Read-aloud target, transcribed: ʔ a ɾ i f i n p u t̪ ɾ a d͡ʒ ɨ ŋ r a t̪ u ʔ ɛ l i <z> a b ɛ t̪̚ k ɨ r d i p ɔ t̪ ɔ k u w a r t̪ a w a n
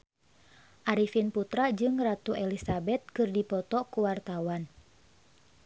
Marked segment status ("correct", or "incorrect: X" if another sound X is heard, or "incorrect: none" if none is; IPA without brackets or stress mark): incorrect: s